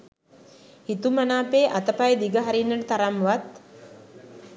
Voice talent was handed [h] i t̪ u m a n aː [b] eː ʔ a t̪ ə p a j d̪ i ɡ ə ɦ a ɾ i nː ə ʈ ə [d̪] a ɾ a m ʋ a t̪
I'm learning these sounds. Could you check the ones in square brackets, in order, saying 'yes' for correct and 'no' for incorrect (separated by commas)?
yes, no, no